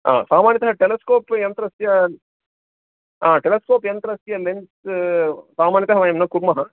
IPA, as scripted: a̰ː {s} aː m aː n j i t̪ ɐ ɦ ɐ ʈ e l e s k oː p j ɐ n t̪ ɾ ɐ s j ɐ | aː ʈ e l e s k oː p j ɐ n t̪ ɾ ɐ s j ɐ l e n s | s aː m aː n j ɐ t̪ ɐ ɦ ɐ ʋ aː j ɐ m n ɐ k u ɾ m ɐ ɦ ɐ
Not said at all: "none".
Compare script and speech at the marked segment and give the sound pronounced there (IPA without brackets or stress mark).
s